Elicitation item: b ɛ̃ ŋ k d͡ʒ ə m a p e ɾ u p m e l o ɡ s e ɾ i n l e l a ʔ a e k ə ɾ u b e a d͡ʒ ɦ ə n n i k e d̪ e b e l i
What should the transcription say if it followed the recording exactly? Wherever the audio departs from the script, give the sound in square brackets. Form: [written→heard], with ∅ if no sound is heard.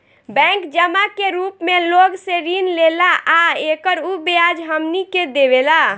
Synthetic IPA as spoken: b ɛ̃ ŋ k d͡ʒ ə m a [p→k] e ɾ u p m e l o ɡ s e ɾ i n l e l a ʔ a e k ə ɾ u b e a d͡ʒ ɦ ə [n→m] n i k e d̪ e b e l [i→a]